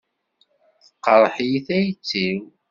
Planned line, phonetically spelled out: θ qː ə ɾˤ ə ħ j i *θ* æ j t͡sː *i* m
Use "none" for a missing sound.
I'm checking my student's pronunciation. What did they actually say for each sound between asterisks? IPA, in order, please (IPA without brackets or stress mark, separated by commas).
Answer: θ, i